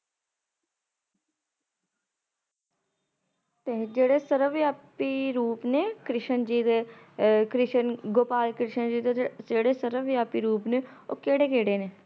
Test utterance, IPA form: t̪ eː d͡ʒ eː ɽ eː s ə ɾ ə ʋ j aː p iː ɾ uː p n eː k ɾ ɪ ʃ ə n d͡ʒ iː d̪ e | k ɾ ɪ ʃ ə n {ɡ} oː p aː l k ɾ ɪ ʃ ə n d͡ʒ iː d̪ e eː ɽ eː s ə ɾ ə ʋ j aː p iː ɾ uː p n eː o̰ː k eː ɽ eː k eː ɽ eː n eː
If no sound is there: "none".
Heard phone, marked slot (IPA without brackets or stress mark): ɡ